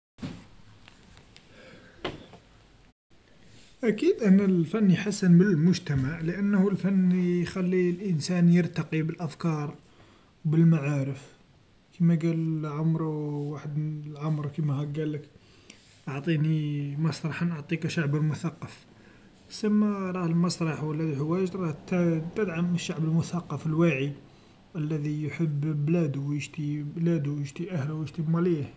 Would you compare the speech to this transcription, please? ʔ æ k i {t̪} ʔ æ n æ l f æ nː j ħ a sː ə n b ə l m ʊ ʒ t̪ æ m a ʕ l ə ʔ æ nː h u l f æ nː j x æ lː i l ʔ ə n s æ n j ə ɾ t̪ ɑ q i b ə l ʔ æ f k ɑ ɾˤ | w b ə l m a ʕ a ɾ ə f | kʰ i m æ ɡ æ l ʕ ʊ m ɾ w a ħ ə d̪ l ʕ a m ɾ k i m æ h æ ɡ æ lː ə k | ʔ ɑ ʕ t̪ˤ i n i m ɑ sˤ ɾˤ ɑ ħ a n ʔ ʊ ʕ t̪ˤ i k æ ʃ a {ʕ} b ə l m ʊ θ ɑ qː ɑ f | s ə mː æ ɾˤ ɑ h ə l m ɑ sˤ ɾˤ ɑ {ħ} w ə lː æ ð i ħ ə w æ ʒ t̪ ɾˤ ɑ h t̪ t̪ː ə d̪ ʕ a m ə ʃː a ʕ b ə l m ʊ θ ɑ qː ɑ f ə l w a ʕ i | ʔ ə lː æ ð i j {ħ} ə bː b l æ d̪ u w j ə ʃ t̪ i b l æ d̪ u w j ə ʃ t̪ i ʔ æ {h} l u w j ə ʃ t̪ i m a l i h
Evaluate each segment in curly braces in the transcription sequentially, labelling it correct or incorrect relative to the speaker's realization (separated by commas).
incorrect, correct, correct, correct, correct